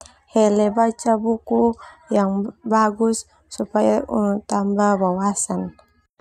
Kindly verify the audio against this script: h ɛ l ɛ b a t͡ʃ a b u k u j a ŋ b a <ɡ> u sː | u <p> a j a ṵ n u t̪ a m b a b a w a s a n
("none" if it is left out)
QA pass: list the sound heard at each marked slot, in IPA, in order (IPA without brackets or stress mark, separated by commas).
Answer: ɡ, p